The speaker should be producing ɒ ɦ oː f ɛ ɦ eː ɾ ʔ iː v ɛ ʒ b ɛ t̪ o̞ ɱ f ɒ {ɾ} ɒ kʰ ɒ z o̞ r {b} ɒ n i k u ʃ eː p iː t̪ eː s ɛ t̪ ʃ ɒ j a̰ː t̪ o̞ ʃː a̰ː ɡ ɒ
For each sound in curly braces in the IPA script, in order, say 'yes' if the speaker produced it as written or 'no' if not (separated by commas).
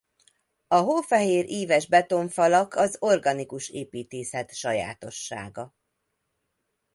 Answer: no, no